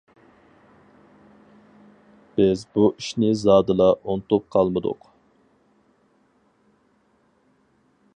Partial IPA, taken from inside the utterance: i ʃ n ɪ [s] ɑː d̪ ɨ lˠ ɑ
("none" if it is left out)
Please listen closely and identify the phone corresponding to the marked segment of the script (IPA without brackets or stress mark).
z